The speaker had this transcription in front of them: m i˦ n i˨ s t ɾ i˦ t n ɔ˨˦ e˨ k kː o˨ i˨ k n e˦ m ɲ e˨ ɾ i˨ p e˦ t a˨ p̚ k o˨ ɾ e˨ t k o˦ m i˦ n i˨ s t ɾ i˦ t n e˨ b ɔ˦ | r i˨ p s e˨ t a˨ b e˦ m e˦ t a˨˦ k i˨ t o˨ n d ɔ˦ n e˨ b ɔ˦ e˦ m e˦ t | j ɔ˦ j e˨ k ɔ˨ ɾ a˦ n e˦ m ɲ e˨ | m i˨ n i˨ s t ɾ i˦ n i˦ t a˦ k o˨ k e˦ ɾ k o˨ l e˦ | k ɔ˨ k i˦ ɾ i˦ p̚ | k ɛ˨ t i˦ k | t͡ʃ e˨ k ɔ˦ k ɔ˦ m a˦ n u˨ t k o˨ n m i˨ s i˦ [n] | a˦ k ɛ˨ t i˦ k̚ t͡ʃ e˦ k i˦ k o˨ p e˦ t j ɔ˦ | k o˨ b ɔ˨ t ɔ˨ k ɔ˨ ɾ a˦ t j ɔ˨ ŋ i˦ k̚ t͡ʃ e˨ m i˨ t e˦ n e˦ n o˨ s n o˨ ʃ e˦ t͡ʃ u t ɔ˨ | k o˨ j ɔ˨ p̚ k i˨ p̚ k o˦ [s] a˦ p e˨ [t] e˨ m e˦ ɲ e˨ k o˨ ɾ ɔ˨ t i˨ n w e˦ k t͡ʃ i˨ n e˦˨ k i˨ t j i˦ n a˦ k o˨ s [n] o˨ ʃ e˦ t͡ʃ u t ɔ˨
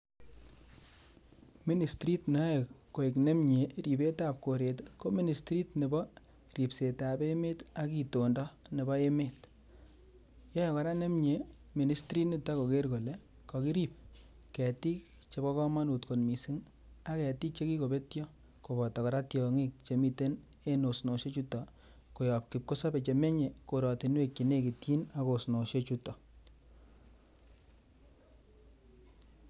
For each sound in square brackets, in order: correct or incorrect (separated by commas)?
incorrect, correct, incorrect, correct